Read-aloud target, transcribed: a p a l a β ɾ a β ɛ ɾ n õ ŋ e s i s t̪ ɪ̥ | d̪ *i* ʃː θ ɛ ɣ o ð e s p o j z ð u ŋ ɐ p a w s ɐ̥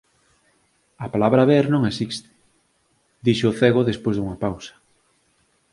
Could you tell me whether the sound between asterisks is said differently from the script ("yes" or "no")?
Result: no